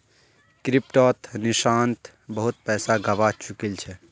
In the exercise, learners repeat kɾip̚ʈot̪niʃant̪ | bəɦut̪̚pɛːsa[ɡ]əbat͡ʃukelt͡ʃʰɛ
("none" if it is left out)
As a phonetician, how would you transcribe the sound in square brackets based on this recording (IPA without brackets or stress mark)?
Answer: ɡ